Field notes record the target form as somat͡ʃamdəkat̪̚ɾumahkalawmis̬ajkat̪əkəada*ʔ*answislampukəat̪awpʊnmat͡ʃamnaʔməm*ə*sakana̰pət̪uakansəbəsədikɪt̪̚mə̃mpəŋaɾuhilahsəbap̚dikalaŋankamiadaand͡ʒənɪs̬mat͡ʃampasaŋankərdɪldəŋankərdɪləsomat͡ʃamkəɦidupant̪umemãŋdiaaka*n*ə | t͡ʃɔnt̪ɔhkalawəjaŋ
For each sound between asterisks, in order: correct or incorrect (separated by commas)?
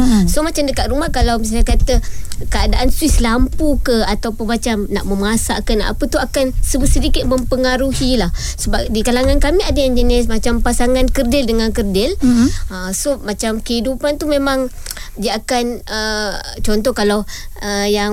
correct, incorrect, correct